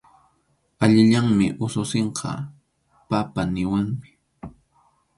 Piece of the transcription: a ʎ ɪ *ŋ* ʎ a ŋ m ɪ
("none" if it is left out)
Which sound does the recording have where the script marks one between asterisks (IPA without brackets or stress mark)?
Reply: none